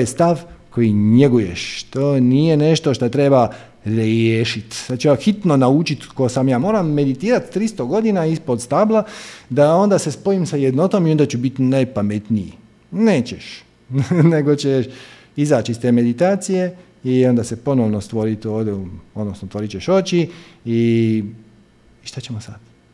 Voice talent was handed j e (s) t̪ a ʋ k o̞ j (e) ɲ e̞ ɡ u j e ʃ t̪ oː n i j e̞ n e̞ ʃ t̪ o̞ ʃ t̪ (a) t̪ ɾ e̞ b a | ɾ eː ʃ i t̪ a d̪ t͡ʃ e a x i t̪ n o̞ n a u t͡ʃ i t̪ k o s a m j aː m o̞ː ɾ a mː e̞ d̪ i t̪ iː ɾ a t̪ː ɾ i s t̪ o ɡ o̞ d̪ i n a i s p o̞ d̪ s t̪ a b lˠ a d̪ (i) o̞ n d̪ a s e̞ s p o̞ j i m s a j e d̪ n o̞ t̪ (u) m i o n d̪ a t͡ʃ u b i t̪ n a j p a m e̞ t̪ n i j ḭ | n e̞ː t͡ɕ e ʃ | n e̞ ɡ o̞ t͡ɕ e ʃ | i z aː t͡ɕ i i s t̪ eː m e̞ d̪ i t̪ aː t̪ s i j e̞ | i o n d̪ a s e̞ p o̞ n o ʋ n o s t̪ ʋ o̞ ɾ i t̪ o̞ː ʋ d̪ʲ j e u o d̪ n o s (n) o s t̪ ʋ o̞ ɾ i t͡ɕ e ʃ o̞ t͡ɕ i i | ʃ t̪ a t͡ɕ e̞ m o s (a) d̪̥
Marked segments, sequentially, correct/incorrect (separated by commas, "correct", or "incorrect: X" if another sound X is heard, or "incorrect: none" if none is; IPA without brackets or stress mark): correct, incorrect: i, correct, incorrect: a, incorrect: o, correct, correct